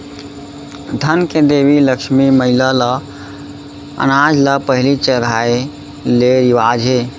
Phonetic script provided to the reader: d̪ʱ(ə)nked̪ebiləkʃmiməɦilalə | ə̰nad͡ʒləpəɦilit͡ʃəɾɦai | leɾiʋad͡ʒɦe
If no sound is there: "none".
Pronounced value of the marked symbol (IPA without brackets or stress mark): ə